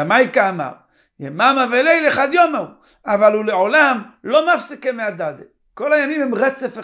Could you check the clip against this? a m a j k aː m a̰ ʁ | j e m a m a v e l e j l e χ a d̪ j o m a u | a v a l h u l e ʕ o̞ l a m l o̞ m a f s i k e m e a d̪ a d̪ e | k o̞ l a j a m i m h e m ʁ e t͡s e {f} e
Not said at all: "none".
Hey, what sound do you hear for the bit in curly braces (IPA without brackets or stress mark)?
f